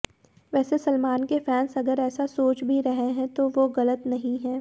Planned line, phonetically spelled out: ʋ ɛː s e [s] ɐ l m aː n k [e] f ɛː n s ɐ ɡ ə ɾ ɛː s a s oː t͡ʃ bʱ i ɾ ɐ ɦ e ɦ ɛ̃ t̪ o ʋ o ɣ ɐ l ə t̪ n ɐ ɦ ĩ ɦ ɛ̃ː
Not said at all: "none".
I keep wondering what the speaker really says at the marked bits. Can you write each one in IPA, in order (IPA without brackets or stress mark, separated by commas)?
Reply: s, e